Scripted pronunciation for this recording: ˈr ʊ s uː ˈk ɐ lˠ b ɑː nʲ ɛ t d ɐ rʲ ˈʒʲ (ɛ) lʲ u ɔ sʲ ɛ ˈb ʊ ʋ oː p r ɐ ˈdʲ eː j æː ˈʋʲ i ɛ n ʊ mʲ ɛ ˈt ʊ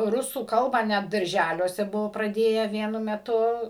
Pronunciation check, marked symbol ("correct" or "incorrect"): incorrect